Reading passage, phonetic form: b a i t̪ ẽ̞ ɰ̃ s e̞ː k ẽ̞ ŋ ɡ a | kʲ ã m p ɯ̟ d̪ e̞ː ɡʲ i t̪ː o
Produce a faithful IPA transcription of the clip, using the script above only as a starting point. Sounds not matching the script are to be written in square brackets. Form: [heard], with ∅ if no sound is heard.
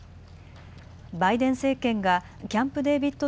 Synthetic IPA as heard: b a i [d̪] ẽ̞ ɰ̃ s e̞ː k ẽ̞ ŋ ɡ a | kʲ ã m p ɯ̟ d̪ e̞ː [bʲ] i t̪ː o